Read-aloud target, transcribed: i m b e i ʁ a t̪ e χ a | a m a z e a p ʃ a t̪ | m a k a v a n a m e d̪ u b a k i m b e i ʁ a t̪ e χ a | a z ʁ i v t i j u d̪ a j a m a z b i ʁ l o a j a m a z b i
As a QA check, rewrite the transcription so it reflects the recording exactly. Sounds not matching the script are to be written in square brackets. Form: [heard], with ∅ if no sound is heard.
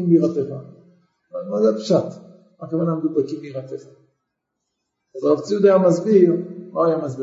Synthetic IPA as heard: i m b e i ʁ a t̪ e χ a | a m a z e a p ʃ a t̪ | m a k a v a n a m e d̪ u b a k i m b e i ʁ a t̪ e χ a | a z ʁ [a] v [t͡s] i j u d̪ a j a m a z b i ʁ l o a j a m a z b i